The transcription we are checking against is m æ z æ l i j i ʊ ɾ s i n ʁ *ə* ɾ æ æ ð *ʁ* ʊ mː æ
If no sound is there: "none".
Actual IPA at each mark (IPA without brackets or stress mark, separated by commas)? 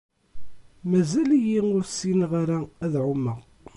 a, ʕ